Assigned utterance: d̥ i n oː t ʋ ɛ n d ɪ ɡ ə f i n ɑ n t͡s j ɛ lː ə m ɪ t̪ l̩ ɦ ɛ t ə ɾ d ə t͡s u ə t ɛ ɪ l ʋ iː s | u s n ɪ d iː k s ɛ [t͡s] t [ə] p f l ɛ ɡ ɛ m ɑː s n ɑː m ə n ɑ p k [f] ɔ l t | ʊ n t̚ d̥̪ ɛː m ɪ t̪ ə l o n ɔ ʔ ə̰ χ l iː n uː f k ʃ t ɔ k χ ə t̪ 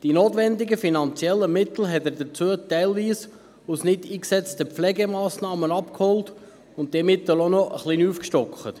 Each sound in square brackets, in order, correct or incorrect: correct, correct, incorrect

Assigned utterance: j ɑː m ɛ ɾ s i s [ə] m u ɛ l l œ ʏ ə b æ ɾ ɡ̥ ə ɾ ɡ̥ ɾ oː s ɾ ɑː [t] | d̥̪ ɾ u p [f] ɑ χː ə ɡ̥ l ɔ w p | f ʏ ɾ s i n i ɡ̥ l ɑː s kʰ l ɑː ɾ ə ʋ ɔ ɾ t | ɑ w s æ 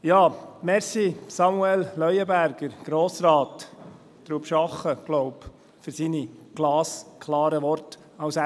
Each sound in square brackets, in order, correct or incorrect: incorrect, correct, incorrect

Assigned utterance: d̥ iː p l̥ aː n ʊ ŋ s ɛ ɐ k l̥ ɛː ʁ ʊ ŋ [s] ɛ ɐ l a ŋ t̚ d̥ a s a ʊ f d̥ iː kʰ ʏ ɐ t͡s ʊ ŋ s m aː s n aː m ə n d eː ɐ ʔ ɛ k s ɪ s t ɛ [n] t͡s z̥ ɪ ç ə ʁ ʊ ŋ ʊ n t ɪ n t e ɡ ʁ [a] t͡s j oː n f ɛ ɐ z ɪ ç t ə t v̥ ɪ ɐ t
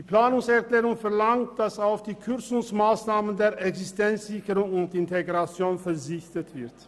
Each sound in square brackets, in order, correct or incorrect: incorrect, correct, correct

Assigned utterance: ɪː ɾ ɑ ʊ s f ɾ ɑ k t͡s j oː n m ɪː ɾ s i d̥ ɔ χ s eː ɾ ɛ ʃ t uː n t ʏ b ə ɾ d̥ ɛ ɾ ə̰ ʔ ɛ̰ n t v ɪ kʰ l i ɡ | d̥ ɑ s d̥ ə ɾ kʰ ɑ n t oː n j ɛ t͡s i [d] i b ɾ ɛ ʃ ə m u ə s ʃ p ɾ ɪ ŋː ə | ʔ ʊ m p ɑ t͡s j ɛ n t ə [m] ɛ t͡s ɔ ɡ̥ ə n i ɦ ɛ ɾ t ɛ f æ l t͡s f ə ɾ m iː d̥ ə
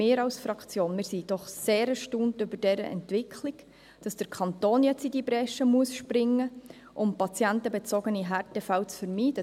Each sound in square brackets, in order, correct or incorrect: correct, incorrect

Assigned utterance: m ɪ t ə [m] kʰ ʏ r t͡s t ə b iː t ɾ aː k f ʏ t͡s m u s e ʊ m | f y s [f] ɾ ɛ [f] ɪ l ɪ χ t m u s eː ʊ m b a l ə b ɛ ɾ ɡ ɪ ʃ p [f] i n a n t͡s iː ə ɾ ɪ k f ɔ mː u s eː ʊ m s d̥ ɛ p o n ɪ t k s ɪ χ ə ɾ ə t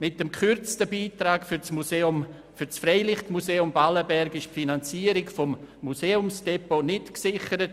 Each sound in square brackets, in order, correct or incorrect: correct, correct, incorrect, correct

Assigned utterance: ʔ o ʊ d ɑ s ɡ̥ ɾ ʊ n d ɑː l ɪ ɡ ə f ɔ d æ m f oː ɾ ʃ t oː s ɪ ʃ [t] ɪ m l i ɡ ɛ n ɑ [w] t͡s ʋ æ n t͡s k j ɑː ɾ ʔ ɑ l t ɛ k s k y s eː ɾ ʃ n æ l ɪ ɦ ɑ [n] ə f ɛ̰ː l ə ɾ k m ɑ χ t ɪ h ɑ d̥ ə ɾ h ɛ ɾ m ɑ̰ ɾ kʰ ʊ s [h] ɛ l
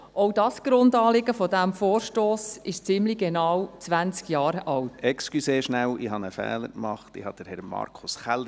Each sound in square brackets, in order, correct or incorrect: incorrect, correct, correct, incorrect

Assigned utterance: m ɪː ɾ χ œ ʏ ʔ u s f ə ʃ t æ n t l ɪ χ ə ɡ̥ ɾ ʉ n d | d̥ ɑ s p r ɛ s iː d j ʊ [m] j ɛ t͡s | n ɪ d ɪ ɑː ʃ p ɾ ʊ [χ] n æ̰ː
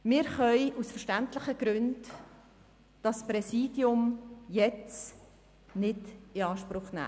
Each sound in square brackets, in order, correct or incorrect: correct, correct

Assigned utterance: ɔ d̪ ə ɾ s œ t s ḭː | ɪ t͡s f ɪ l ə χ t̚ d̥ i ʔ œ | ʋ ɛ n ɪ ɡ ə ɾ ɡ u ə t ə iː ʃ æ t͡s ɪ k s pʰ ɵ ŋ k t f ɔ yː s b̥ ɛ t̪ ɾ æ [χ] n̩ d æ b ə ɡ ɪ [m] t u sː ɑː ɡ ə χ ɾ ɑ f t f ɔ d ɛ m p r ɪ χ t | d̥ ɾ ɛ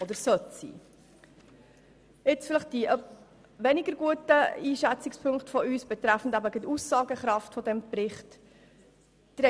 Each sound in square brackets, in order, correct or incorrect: incorrect, incorrect

